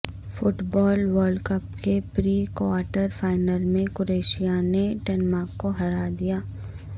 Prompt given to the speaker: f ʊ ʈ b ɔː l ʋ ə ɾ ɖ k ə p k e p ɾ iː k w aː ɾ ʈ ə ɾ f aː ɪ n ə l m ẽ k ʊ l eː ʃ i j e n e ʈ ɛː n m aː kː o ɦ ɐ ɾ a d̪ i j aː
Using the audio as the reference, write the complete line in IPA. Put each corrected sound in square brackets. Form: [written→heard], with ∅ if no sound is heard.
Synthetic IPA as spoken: f ʊ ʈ b ɔː l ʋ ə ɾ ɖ k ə p k e p ɾ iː k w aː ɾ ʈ ə ɾ f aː ɪ n ə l m ẽ k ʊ [l→ɾ] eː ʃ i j [e→a] n e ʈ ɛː n m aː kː o ɦ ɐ ɾ a d̪ i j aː